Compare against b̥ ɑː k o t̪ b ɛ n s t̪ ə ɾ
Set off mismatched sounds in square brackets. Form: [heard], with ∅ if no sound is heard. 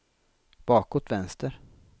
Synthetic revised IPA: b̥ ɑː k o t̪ [v] ɛ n s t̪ ə ɾ